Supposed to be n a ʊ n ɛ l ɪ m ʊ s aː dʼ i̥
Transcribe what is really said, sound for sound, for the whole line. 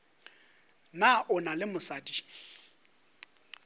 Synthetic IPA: n a ʊ n a l ɪ m ʊ s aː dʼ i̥